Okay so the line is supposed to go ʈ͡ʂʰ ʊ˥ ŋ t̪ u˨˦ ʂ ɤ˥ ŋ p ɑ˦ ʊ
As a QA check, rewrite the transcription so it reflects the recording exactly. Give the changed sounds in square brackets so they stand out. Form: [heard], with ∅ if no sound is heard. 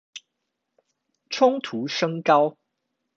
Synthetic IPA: ʈ͡ʂʰ ʊ˥ ŋ [t̪ʰ] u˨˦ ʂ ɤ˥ ŋ [k] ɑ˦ ʊ